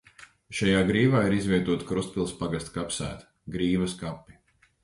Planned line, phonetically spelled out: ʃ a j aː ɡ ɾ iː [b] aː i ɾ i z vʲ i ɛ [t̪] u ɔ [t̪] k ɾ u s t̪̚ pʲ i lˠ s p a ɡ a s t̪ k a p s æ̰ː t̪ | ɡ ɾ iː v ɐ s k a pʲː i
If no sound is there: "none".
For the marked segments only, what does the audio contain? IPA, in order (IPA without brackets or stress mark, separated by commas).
v, t̪, t̪